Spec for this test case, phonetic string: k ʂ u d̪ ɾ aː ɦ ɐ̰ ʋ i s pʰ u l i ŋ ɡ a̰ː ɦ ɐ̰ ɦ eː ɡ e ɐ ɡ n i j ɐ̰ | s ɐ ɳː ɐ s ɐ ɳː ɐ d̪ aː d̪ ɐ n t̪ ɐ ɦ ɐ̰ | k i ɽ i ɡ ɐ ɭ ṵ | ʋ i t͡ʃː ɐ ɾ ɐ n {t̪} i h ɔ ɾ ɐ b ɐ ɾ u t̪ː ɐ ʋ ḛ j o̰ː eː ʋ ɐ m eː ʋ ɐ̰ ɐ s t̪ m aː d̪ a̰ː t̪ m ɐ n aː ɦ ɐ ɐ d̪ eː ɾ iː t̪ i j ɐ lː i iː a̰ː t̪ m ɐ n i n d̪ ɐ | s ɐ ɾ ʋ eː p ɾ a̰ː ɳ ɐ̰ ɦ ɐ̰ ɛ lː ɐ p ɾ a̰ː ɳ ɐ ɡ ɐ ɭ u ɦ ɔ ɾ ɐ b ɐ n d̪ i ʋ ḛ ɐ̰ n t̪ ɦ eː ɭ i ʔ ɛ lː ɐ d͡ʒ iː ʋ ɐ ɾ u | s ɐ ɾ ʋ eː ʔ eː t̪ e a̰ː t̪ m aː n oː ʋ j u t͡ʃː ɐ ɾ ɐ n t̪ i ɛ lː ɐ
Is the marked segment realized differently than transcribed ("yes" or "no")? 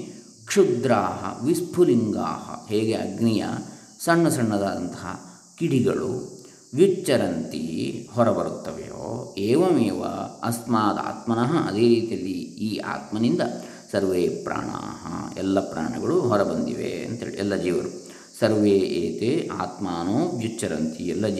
no